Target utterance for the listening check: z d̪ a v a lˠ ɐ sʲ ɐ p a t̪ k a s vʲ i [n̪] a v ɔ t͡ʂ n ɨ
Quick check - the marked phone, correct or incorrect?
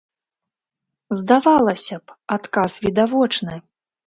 incorrect